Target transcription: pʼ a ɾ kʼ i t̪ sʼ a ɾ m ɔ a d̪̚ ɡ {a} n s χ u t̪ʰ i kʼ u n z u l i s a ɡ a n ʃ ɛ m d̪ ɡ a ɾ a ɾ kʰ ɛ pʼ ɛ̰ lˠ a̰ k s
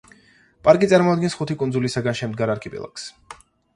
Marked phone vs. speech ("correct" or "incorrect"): incorrect